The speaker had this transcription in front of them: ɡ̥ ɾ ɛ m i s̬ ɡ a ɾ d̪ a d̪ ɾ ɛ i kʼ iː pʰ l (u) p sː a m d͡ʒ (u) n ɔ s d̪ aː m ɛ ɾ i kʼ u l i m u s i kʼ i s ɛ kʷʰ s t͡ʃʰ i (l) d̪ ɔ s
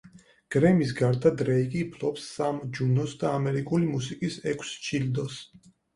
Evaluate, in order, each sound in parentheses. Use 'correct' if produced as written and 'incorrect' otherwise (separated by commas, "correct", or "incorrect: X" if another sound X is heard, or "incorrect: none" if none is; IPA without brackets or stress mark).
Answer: incorrect: ɔ, correct, correct